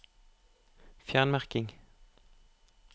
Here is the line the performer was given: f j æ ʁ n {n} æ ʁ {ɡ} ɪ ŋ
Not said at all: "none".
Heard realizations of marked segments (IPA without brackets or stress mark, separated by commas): m, k